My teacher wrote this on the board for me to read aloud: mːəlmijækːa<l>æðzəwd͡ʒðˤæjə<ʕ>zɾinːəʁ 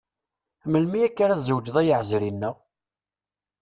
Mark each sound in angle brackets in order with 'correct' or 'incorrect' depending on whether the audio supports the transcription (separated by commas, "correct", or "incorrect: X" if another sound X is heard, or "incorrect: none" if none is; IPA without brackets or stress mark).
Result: incorrect: ɾ, correct